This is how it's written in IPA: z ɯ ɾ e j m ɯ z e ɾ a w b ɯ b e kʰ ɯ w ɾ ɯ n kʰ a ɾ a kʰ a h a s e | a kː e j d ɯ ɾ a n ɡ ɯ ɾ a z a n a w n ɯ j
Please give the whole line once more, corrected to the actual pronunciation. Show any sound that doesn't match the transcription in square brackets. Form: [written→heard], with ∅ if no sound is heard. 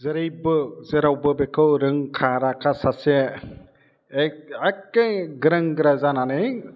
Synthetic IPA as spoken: z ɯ ɾ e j [m→b] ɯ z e ɾ a w b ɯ b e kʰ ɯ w ɾ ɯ [n→ŋ] kʰ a ɾ a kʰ a [h→s] a s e | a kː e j [d→ɡ] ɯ ɾ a [n→ŋ] ɡ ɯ ɾ a z a n a [w→∅] n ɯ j

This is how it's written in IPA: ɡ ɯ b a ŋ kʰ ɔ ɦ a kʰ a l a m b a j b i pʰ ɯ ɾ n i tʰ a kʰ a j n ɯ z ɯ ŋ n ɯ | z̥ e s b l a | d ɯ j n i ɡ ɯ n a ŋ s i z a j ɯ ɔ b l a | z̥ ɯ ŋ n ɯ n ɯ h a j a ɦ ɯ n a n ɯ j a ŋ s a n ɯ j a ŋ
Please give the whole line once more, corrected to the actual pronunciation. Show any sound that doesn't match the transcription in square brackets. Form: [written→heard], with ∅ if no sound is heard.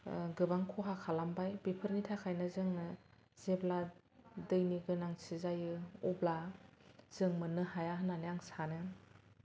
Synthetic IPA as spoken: ɡ ɯ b a ŋ kʰ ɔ ɦ a kʰ a l a m b a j b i pʰ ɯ ɾ n i tʰ a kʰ a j n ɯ z ɯ ŋ n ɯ | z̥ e [s→∅] b l a | d ɯ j n i ɡ ɯ n a ŋ s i z a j ɯ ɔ b l a | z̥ ɯ ŋ [n→m] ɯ n ɯ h a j a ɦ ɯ n a n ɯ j a ŋ s a n ɯ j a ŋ

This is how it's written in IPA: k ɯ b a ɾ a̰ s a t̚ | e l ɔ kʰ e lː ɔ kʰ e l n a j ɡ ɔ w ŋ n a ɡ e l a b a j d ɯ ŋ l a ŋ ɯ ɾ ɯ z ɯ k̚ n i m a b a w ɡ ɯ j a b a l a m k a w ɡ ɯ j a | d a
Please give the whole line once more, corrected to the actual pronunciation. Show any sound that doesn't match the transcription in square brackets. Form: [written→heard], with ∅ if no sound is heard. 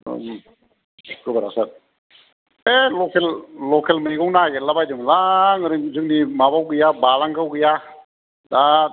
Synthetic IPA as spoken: k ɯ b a ɾ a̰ s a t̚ | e l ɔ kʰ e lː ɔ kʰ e l [n→m] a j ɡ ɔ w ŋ n a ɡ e l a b a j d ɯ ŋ l a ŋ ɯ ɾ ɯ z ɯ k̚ n i m a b a w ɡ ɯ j a b a l a [m→ŋ] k a w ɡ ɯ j a | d a

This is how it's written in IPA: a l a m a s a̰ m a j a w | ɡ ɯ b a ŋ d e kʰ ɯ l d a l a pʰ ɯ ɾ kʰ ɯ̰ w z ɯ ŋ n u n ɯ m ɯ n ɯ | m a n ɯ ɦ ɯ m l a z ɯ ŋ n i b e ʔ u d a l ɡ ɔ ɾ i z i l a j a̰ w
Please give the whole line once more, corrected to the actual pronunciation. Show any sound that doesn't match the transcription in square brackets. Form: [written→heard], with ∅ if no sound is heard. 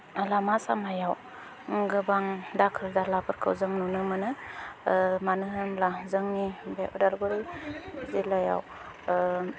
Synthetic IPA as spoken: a l a m a s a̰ m a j a w | ɡ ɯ b a ŋ d [e→a] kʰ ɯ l d a l a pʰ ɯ ɾ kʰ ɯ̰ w z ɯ ŋ n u n ɯ m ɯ n ɯ | m a n ɯ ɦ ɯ m l a z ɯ ŋ n i b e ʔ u d a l ɡ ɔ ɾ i z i l a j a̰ w

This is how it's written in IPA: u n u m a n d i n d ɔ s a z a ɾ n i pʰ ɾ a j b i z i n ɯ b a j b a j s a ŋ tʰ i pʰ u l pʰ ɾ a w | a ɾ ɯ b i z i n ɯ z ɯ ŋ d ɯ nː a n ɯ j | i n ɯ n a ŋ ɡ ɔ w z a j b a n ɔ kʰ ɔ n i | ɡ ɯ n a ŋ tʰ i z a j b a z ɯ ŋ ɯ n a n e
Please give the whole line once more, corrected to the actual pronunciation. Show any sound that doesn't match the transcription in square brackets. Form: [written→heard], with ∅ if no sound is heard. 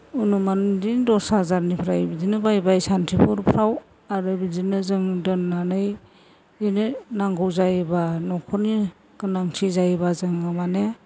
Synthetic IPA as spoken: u n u m a n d i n d ɔ s a z a ɾ n i pʰ ɾ a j b i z i n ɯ b a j b a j s a [ŋ→n] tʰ i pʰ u [l→ɾ] pʰ ɾ a w | a ɾ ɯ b i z i n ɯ z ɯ ŋ d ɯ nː a n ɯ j | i n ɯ n a ŋ ɡ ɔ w z a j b a n ɔ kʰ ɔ n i | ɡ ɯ n a ŋ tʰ i z a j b a z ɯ ŋ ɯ [n→m] a n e

